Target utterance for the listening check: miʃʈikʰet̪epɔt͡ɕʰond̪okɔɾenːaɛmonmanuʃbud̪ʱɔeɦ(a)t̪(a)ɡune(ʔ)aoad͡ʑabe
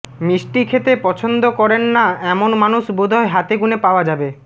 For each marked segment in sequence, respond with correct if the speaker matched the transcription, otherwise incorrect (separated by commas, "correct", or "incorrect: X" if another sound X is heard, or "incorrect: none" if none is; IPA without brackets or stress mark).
correct, incorrect: e, incorrect: p